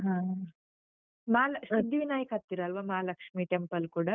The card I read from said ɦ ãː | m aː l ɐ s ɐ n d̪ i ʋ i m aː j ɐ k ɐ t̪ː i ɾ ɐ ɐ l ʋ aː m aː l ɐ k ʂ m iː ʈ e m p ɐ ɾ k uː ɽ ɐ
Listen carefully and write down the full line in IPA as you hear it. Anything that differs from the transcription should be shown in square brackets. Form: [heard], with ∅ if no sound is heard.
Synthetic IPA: ɦ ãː | m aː l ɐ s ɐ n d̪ i ʋ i [n] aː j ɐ k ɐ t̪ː i ɾ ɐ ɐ l ʋ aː m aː l ɐ k ʂ m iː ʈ e m p ɐ [l] k uː ɽ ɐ